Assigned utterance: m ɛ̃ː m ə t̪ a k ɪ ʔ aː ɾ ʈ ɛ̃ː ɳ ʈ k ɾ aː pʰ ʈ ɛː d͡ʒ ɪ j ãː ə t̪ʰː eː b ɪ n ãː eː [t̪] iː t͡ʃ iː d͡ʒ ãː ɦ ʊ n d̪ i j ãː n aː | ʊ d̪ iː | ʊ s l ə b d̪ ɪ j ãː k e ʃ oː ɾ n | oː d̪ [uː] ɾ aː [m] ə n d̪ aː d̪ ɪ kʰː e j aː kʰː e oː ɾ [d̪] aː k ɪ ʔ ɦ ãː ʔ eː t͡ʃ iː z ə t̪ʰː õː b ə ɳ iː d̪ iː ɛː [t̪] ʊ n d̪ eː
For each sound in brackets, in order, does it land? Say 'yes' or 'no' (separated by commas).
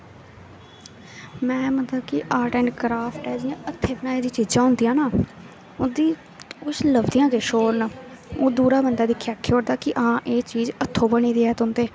no, yes, no, yes, yes